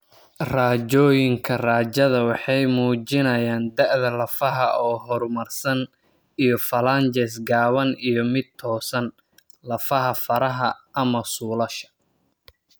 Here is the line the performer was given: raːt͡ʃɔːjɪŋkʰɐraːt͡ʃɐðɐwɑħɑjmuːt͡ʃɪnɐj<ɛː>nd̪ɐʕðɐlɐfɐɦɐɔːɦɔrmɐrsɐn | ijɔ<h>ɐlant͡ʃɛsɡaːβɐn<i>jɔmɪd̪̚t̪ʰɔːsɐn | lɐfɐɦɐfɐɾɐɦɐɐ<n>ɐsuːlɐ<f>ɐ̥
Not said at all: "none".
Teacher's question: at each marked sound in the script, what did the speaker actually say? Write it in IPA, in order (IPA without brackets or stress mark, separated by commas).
aː, f, i, m, ʃ